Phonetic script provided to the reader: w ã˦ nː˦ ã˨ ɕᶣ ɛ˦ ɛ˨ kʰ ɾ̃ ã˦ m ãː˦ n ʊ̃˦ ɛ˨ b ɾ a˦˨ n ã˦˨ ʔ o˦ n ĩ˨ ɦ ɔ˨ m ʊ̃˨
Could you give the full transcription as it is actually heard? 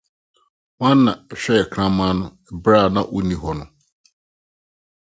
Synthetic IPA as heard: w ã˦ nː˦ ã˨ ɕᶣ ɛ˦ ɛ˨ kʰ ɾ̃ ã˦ m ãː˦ n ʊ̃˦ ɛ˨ b ɾ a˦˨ n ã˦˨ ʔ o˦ n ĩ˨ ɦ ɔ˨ n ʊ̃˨